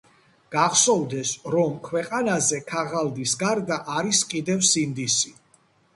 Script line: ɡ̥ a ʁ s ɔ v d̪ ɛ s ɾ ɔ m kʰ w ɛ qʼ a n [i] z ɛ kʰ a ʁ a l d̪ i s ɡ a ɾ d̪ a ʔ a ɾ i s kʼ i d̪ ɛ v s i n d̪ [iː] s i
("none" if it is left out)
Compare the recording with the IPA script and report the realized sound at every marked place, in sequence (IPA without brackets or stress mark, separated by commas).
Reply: a, i